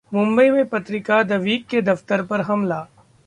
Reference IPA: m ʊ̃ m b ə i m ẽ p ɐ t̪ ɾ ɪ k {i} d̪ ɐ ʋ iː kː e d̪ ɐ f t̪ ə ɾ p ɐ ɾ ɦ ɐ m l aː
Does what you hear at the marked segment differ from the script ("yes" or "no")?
yes